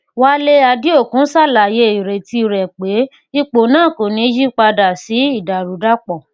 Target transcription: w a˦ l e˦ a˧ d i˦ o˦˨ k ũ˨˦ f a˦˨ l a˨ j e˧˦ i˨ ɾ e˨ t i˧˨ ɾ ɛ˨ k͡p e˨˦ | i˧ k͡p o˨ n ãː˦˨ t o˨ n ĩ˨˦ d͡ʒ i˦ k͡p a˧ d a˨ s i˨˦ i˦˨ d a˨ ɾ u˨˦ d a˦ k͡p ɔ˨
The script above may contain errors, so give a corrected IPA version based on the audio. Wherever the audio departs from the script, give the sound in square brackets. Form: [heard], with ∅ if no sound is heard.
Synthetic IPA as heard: w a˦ l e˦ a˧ d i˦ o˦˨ k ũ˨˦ [s] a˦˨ l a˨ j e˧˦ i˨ ɾ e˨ t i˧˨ ɾ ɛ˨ k͡p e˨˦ | i˧ k͡p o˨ n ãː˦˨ [k] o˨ n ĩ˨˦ d͡ʒ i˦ k͡p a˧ d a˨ s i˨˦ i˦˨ d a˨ ɾ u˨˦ d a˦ k͡p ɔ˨